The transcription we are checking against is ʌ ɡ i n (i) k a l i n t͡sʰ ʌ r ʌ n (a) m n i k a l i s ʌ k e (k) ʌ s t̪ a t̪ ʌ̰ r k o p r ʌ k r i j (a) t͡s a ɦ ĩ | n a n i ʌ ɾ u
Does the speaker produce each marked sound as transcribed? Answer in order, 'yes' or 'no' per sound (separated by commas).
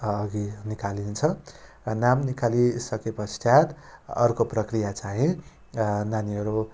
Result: yes, yes, no, yes